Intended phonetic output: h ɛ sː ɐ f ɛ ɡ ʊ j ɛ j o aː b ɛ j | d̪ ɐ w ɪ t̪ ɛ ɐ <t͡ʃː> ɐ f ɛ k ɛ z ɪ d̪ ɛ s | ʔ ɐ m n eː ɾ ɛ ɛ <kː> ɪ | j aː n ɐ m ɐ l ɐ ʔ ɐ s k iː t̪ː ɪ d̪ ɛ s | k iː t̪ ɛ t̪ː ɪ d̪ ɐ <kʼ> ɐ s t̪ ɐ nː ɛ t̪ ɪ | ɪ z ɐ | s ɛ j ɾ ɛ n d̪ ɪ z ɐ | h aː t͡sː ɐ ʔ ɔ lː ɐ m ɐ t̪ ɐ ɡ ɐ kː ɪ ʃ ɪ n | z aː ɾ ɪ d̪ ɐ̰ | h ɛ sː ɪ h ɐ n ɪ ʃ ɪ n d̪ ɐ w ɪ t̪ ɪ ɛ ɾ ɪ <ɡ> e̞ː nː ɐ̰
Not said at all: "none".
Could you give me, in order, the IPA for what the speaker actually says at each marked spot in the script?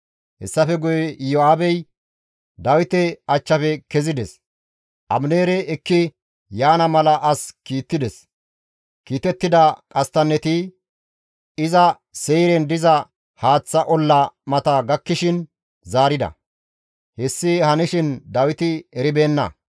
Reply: t͡ʃː, kː, kʼ, b

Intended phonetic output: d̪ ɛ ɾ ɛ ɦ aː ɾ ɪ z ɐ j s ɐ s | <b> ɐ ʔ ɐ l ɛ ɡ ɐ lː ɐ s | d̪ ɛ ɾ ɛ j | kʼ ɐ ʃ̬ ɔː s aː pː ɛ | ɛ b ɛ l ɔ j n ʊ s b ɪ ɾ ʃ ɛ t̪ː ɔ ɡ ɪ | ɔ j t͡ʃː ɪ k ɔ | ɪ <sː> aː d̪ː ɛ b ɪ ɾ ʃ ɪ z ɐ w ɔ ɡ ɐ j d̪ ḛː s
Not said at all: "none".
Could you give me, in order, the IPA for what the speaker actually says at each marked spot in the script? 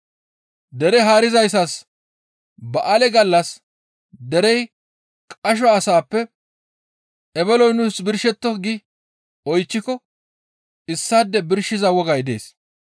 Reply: b, sː

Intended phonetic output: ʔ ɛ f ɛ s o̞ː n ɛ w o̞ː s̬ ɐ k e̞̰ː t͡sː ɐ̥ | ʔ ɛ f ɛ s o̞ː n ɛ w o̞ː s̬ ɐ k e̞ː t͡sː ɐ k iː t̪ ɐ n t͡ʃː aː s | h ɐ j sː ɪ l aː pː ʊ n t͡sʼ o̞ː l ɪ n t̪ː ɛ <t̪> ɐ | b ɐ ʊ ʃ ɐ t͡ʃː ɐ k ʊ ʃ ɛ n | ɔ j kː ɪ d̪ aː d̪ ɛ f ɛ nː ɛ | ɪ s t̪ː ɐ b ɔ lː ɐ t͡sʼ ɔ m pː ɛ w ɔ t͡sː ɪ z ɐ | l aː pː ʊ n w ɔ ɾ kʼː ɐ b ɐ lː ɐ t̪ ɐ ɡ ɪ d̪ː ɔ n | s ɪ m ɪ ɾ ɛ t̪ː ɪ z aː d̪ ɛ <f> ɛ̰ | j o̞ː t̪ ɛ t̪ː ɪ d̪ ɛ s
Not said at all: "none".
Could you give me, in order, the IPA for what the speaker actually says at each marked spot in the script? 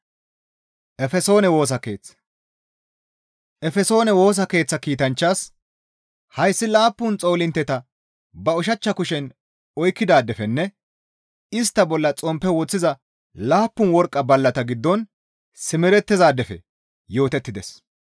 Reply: t̪, f

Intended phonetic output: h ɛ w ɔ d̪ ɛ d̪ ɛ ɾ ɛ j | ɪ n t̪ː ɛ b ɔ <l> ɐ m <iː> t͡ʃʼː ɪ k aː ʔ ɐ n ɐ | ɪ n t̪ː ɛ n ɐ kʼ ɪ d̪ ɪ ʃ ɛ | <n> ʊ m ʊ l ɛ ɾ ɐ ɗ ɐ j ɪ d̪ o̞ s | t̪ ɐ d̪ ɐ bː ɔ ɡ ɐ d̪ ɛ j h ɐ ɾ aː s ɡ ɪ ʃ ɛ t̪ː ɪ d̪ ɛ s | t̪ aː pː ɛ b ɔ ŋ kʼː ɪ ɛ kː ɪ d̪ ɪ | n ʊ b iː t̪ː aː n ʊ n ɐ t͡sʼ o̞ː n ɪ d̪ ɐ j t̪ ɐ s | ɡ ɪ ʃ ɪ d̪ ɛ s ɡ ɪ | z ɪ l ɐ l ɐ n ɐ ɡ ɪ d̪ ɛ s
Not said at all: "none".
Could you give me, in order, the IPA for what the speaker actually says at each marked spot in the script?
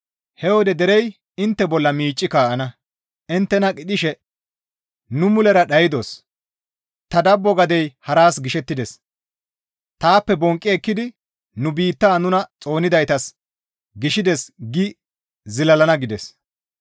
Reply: lː, iː, n

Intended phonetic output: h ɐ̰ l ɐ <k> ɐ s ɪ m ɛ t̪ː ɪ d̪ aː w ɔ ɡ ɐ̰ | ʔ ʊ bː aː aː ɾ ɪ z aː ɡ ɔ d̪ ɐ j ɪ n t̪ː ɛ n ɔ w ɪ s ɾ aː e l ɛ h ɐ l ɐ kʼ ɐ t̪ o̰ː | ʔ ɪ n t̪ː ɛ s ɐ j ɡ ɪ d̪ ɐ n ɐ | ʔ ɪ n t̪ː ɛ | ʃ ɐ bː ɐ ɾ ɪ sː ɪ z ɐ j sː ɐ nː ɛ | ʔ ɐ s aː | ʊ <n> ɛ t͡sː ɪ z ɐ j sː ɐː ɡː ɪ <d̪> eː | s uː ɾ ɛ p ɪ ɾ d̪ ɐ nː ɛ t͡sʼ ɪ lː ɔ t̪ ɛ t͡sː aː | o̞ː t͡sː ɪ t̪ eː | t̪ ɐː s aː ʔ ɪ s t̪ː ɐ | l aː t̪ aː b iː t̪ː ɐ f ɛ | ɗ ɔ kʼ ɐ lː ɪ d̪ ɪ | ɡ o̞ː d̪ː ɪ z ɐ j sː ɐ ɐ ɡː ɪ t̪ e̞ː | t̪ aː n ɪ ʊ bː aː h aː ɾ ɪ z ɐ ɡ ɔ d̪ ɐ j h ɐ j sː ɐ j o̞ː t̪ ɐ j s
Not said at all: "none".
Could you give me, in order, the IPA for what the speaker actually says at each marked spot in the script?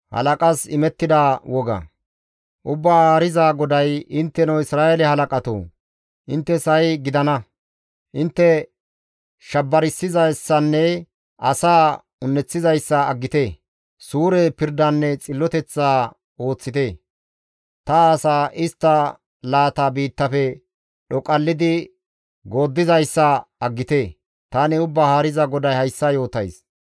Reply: kʼ, nː, t̪

